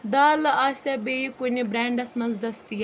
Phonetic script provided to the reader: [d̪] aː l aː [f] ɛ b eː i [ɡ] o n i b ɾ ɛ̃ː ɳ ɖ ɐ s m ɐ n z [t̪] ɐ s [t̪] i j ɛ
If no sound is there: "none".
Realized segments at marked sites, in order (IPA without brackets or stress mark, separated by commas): d̪, s, k, d̪, t̪